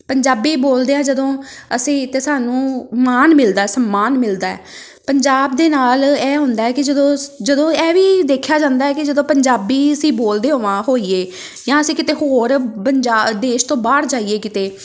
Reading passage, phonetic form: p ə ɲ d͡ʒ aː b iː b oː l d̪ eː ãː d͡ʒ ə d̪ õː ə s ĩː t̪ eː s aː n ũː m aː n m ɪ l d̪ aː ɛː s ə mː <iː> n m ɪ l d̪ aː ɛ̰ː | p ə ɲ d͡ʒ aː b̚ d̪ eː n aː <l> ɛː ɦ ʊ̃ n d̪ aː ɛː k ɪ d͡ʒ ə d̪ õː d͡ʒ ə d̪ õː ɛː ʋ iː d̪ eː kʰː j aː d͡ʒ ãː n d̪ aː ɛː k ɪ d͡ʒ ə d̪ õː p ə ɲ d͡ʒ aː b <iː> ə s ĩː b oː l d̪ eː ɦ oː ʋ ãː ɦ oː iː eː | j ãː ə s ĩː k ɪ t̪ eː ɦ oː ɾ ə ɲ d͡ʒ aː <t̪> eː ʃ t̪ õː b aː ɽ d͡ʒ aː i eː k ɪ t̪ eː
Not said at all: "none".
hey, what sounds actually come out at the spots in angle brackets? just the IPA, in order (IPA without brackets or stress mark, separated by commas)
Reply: aː, l, iː, d̪